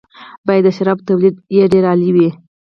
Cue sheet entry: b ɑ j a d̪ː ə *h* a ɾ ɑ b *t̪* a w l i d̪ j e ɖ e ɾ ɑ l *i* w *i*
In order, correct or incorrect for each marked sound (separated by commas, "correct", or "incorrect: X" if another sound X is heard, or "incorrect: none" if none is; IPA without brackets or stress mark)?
incorrect: ʃ, correct, correct, correct